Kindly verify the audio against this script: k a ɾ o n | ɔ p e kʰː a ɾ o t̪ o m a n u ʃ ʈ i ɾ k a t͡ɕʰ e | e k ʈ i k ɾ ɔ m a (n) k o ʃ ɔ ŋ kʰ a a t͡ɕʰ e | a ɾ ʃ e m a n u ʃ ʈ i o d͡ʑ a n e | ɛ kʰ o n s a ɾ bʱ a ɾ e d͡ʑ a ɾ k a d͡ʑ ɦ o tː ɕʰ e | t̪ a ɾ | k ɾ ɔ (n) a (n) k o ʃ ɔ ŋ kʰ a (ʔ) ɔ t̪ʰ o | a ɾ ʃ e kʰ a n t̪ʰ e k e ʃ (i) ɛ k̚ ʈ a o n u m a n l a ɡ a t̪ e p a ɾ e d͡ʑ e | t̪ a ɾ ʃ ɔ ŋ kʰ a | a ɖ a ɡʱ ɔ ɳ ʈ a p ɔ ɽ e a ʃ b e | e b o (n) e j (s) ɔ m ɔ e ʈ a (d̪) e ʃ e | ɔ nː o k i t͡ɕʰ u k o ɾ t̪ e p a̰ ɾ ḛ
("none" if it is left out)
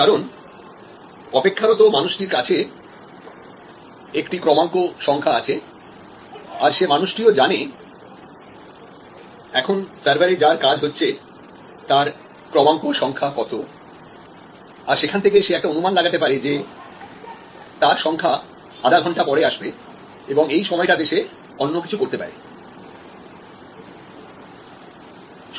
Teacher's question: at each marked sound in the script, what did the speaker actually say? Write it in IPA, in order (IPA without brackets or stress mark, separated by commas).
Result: ŋ, m, ŋ, k, e, ŋ, ʃ, d̪